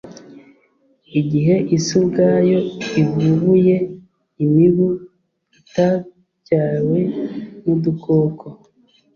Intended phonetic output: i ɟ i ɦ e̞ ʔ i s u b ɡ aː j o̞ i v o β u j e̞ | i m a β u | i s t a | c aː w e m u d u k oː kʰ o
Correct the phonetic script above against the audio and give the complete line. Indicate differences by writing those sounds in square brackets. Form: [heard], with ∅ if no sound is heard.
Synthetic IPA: i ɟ i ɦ e̞ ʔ i s u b ɡ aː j o̞ i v [u] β u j e̞ | i m [i] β u | i [∅] t a | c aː w e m u d u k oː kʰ o